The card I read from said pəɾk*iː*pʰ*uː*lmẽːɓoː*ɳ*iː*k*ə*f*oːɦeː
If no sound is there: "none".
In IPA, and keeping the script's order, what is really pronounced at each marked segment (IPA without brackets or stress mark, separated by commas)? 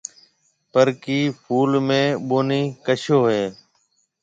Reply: iː, uː, n, k, ʃ